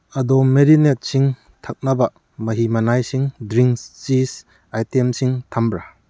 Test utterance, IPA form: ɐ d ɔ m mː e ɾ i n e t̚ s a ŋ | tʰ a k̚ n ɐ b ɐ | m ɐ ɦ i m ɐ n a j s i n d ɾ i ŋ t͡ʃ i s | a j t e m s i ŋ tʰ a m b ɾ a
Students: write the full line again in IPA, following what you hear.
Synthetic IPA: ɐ d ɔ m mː e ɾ i n e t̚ s i ŋ | tʰ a k̚ n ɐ b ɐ | m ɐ ɦ i m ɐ n a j s i ŋ d ɾ i ŋ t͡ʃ i s | a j t e m s i ŋ tʰ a m b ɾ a

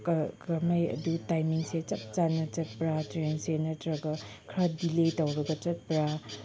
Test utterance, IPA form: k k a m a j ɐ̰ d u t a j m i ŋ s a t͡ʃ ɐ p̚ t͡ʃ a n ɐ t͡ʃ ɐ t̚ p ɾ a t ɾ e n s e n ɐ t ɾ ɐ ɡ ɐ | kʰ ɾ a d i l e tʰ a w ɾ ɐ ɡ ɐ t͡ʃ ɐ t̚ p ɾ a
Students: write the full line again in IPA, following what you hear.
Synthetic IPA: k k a m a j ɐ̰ d u t a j m i ŋ s e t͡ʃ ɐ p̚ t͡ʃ a n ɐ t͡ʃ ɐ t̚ p ɾ a t ɾ e n s e n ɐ t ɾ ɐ ɡ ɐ | kʰ ɾ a d i l e t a w ɾ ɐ ɡ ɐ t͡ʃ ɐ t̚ p ɾ a

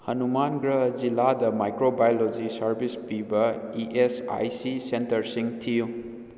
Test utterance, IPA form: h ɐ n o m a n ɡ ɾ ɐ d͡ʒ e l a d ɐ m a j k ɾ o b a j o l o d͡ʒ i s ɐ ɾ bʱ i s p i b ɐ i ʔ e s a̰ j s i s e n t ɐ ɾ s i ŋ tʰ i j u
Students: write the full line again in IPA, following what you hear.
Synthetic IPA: h ɐ n u m a n ɡ ɾ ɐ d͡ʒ i l a d ɐ m a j k ɾ o b a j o l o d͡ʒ i s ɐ ɾ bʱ i s p i b ɐ i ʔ e s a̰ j s i s e n t ɐ ɾ s i ŋ tʰ i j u

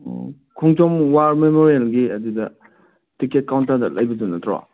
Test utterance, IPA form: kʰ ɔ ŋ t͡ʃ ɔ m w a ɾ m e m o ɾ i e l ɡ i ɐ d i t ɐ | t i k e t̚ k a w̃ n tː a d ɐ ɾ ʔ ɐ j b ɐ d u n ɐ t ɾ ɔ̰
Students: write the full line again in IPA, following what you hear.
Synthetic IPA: kʰ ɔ ŋ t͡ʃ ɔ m w a ɾ m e m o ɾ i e l ɡ i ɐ d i d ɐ | t i k e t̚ k a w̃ n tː a d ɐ l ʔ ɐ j b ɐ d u n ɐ t ɾ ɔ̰

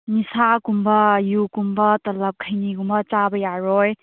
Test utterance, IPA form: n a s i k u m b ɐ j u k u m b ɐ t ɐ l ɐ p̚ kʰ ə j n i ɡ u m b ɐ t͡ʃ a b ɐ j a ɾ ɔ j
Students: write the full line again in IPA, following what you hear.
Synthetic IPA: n i s a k u m b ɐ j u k u m b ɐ t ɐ l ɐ p̚ kʰ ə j n i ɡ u m b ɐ t͡ʃ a b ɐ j a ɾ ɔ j

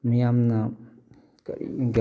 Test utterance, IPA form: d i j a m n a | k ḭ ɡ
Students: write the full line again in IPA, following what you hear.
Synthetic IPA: n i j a m n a | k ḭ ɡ

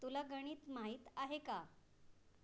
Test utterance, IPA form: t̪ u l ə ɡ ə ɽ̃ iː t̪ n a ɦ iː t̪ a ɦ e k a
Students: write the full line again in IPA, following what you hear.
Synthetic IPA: t̪ u l a ɡ ə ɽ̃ iː t̪ m a ɦ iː t̪ a ɦ e k a

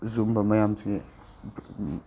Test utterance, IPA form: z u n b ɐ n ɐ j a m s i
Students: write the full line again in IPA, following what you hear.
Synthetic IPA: z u m b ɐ m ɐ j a m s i

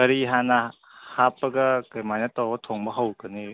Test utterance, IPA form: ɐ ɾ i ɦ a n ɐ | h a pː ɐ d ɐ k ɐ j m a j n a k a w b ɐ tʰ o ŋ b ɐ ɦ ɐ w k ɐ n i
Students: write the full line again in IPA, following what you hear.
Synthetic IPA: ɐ ɾ i ɦ a n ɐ | h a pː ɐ ɡ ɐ k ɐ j m a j n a t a w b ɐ tʰ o ŋ b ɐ ɦ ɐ w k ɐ n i

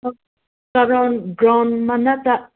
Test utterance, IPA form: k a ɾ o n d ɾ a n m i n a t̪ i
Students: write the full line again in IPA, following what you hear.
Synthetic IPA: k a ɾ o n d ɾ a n m a n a t̪ a

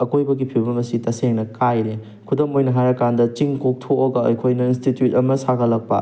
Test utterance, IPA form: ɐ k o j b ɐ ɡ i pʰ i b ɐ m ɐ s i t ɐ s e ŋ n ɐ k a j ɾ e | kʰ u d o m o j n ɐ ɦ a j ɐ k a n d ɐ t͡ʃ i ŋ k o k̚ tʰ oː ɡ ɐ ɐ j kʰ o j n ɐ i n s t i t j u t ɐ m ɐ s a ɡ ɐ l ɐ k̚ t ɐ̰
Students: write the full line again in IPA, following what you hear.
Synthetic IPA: ɐ k o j b ɐ ɡ i pʰ i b ɐ m ɐ s i t ɐ s e ŋ n ɐ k a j ɾ e | kʰ u d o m o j n ɐ ɦ a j ɐ k a n d ɐ t͡ʃ i ŋ k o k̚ tʰ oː ɡ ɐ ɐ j kʰ o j n ɐ i n s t i t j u t ɐ m ɐ s a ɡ ɐ l ɐ k̚ p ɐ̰

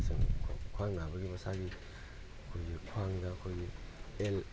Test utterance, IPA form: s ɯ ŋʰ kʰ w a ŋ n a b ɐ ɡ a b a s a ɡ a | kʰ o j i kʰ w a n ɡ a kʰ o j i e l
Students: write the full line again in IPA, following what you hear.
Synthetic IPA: s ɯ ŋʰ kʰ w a ŋ n a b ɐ ɡ i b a s a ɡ i | kʰ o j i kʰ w a ŋ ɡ a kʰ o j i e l

